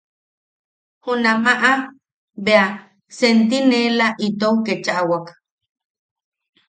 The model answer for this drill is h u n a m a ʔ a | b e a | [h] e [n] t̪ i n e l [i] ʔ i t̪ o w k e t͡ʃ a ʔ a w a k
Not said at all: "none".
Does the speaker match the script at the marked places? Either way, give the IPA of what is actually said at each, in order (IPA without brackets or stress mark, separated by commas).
s, n, a